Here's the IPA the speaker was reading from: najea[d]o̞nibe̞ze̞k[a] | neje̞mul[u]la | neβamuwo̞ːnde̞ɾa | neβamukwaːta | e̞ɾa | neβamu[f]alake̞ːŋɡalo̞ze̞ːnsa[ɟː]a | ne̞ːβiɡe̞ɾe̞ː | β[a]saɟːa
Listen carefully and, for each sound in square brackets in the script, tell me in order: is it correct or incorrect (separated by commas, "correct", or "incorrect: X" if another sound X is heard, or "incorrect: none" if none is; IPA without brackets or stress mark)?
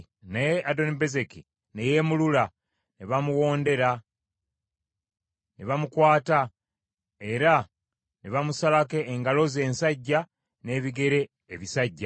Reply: correct, incorrect: i, correct, incorrect: s, correct, incorrect: i